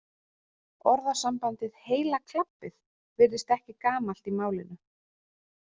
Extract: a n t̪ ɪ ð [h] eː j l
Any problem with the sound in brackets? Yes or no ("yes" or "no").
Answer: no